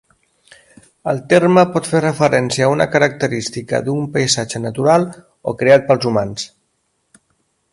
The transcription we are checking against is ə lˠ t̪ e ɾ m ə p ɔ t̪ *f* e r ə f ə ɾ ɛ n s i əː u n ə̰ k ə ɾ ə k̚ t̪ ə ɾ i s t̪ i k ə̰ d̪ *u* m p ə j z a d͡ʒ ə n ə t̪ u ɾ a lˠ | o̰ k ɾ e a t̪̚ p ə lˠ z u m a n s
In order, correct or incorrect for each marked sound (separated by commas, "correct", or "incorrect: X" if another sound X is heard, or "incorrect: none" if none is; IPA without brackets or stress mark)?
correct, correct